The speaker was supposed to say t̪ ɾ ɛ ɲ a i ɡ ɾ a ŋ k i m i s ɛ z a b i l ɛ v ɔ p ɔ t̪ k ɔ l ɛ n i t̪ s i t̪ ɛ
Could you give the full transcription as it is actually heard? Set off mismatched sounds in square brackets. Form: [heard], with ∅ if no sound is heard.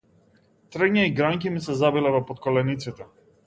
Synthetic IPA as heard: t̪ ɾ ɛ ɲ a i ɡ ɾ a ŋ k i m i s ɛ z a b i l ɛ v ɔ p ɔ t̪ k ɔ l ɛ n i t̪ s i t̪ ɛ